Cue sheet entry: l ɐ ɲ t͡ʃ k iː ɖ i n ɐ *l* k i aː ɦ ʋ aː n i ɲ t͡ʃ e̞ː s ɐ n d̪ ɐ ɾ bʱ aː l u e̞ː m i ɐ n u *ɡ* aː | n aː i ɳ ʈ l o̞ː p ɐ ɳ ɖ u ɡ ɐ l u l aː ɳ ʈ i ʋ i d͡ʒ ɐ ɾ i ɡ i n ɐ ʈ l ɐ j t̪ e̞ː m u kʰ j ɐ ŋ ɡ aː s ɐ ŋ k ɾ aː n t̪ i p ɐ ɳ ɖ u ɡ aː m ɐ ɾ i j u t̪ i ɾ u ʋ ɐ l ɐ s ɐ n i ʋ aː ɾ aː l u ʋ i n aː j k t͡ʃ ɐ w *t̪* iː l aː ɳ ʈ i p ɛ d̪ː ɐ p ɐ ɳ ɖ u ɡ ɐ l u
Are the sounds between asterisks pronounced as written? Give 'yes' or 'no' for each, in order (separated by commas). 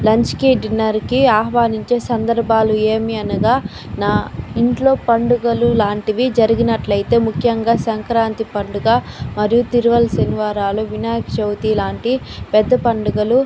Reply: no, yes, yes